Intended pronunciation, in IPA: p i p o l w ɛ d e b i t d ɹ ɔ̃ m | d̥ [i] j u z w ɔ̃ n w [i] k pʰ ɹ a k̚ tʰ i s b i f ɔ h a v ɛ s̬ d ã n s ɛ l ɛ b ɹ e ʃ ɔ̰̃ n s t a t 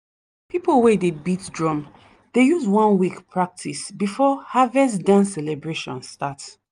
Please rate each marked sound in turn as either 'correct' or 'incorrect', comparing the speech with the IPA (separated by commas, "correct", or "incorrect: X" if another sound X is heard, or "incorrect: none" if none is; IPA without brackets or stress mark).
incorrect: e, correct